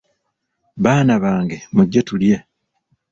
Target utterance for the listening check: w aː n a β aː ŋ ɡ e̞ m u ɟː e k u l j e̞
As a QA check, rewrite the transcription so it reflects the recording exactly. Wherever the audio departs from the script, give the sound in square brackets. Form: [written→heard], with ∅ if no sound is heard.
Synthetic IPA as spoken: [w→β] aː n a β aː ŋ ɡ e̞ m u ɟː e [k→t] u l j e̞